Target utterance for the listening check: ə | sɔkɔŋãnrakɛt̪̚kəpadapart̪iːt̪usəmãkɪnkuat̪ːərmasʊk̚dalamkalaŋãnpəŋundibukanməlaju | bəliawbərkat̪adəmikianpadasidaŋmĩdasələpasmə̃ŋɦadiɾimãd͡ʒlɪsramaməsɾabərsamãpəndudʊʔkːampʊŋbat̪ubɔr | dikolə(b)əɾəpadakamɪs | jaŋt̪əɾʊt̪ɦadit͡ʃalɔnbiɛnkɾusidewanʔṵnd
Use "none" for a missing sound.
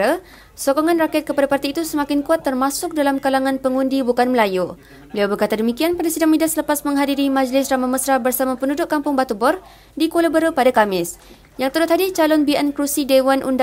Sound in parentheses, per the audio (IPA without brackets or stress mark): b